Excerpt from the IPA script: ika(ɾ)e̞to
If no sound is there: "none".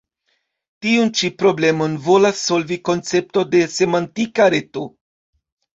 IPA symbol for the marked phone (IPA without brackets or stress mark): ɾ